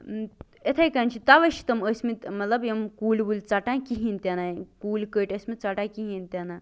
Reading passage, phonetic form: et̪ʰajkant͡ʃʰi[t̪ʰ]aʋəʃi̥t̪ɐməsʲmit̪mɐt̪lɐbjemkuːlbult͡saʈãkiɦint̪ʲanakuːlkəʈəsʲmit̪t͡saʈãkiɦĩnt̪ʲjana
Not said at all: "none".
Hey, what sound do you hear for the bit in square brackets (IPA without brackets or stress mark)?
t̪